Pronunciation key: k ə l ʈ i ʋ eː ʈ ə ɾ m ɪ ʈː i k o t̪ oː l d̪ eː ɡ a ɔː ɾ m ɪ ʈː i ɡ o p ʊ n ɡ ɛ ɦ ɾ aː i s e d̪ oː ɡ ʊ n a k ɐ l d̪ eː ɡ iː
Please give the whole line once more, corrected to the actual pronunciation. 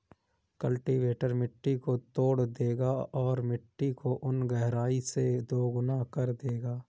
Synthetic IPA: k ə l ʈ i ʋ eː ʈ ə ɾ m ɪ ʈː i k o t̪ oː ɽ d̪ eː ɡ a ɔː ɾ m ɪ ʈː i k o ʔ ʊ n ɡ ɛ ɦ ɾ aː i s e d̪ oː ɡ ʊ n a k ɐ ɾ d̪ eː ɡ aː

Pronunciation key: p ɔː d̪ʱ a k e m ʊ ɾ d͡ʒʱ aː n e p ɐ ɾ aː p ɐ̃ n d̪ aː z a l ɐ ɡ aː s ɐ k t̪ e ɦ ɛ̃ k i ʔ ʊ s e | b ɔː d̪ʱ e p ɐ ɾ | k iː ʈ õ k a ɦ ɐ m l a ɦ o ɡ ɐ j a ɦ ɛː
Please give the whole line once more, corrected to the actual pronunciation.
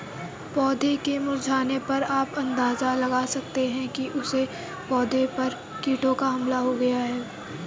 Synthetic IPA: p ɔː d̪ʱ e k e m ʊ ɾ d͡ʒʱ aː n e p ɐ ɾ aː p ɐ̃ n d̪ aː z a l ɐ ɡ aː s ɐ k t̪ e ɦ ɛ̃ k i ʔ ʊ s e | p ɔː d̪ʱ e p ɐ ɾ | k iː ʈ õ k a ɦ ɐ m l a ɦ o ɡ ɐ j a ɦ ɛː

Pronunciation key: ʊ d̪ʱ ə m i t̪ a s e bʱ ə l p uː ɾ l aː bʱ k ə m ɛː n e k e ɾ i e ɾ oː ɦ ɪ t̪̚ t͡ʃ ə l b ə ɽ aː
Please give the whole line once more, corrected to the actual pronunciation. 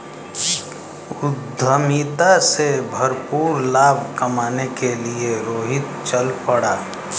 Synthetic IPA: ʊ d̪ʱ ə m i t̪ a s e bʱ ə ɾ p uː ɾ l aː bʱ k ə m aː n e k e l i e ɾ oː ɦ ɪ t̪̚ t͡ʃ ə l p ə ɽ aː

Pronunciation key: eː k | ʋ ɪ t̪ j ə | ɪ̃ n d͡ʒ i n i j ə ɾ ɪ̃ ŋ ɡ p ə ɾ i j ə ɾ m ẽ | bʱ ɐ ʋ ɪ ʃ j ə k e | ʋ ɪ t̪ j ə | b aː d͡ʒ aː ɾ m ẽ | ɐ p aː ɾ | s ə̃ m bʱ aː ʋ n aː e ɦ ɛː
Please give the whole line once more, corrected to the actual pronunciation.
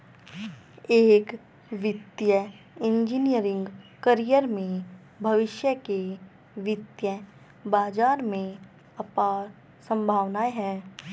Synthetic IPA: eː k | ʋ ɪ t̪ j ə | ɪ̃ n d͡ʒ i n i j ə ɾ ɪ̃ ŋ ɡ k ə ɾ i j ə ɾ m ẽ | bʱ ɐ ʋ ɪ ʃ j ə k e | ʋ ɪ t̪ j ə | b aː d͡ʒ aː ɾ m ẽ | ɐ p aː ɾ | s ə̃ m bʱ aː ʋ n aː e ɦ ɛː

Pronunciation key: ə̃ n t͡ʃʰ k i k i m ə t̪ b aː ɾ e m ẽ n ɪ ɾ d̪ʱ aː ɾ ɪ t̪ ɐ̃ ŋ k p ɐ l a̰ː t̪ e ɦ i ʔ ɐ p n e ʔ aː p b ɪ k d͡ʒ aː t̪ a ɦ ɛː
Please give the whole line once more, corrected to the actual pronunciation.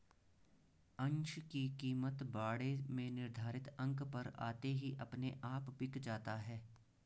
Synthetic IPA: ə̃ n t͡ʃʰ k i k iː m ə t̪ b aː ɽ e m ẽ n ɪ ɾ d̪ʱ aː ɾ ɪ t̪ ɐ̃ ŋ k p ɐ ɾ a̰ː t̪ e ɦ i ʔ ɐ p n e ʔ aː p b ɪ k d͡ʒ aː t̪ a ɦ ɛː

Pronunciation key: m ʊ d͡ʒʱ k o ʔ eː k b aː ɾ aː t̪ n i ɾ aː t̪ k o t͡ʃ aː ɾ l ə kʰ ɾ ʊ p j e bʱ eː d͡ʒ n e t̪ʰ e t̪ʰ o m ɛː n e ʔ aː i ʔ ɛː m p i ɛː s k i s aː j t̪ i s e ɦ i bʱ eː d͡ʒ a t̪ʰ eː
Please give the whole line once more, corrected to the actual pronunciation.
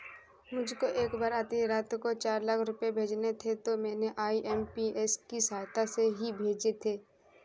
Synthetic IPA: m ʊ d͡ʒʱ k o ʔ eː k b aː ɾ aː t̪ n i ɾ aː t̪ k o t͡ʃ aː ɾ l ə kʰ ɾ ʊ p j e bʱ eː d͡ʒ n e t̪ʰ e t̪ o m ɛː n e ʔ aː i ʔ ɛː m p i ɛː s k i s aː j t̪ a s e ɦ i bʱ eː d͡ʒ e t̪ʰ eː

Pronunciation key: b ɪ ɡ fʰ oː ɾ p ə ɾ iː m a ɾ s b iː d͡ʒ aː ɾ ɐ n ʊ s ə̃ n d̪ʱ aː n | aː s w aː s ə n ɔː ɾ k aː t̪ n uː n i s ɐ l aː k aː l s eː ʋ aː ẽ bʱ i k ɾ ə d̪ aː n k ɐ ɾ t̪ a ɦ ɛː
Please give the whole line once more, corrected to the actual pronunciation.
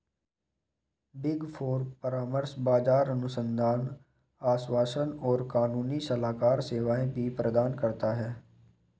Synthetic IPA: b ɪ ɡ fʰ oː ɾ p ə ɾ aː m ə ɾ s b aː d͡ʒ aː ɾ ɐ n ʊ s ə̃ n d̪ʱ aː n | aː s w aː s ə n ɔː ɾ k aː n uː n i s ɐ l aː k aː ɾ s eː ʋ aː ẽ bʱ i p ɾ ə d̪ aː n k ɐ ɾ t̪ a ɦ ɛː

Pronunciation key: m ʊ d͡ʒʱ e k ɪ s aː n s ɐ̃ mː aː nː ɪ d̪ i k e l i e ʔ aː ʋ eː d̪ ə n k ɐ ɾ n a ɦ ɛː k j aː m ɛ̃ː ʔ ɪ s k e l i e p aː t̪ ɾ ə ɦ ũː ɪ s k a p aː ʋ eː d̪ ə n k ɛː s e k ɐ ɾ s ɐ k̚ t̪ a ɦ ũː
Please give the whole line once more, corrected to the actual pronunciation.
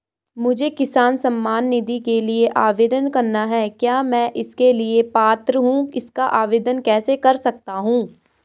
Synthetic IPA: m ʊ d͡ʒʱ e k ɪ s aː n s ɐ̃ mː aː nː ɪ d̪ i k e l i e ʔ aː ʋ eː d̪ ə n k ɐ ɾ n a ɦ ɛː k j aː m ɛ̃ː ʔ ɪ s k e l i e p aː t̪ ɾ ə ɦ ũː ɪ s k a ʔ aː ʋ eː d̪ ə n k ɛː s e k ɐ ɾ s ɐ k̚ t̪ a ɦ ũː

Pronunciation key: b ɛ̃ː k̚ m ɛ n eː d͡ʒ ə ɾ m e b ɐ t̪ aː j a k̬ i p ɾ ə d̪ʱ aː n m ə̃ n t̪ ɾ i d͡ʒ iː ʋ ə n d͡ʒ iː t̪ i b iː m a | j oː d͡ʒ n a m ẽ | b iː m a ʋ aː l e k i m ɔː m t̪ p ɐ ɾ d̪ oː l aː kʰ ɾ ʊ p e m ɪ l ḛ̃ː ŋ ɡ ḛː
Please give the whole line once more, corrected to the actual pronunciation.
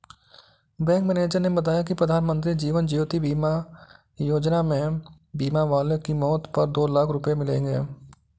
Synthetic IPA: b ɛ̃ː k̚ m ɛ n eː d͡ʒ ə ɾ n e b ɐ t̪ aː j a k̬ i p ɾ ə d̪ʱ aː n m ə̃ n t̪ ɾ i d͡ʒ iː ʋ ə n d͡ʒ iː t̪ i b iː m a | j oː d͡ʒ n a m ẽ | b iː m a ʋ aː l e k i m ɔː t̪ p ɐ ɾ d̪ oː l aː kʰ ɾ ʊ p e m ɪ l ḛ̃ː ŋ ɡ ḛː

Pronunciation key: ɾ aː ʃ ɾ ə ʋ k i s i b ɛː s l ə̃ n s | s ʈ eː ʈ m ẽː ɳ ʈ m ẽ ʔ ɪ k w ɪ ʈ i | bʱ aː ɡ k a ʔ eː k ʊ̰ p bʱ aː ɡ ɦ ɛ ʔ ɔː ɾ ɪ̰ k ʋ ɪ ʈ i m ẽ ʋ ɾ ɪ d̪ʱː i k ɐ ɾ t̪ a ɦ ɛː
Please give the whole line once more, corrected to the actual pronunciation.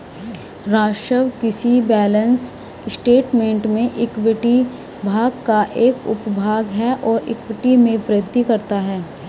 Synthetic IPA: ɾ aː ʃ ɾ ə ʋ k ɪ s i b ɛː l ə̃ n s | s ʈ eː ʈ m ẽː ɳ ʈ m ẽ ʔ ɪ k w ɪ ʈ i | bʱ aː ɡ k a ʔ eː k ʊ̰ p bʱ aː ɡ ɦ ɛ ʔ ɔː ɾ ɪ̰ k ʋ ɪ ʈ i m ẽ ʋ ɾ ɪ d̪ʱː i k ɐ ɾ t̪ a ɦ ɛː

